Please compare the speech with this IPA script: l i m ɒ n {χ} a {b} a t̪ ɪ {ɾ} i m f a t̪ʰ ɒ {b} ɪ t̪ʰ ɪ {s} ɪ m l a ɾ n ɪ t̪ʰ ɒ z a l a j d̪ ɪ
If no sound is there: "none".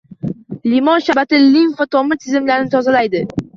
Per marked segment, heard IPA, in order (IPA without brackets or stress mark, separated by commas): ʃ, b, l, m, z